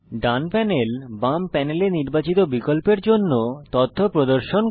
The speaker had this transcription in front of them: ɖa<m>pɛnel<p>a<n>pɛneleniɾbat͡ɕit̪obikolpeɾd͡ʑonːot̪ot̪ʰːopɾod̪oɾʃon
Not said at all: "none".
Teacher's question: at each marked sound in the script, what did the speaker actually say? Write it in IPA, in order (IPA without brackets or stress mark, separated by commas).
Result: n, b, m